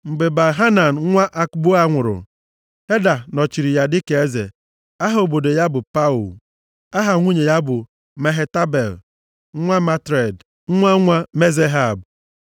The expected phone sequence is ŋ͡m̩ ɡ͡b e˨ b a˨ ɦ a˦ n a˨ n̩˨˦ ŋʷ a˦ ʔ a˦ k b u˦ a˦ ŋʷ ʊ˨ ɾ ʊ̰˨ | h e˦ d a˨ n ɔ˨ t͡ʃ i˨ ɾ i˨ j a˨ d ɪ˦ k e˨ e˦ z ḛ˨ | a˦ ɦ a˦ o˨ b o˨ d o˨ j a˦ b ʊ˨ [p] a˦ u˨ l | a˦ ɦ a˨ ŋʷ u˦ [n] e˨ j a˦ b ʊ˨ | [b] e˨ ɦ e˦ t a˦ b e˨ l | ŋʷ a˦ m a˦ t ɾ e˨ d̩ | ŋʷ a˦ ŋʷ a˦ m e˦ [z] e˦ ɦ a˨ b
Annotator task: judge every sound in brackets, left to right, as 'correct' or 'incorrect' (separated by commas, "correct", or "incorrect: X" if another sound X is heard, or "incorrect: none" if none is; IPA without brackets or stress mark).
correct, incorrect: ɲ, incorrect: m, correct